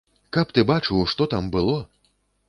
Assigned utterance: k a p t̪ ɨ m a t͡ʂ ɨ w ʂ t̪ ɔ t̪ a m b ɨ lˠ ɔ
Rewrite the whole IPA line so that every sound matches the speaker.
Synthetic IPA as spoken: k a p t̪ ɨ b a t͡ʂ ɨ w ʂ t̪ ɔ t̪ a m b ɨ lˠ ɔ